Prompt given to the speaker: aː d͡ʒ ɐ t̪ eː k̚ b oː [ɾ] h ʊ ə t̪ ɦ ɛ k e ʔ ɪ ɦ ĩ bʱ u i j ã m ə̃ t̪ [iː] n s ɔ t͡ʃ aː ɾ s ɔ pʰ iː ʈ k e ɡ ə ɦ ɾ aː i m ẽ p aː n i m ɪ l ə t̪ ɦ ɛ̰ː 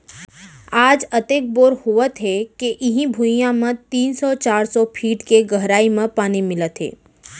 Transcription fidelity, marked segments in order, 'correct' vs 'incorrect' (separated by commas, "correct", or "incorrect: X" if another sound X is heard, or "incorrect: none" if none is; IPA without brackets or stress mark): correct, correct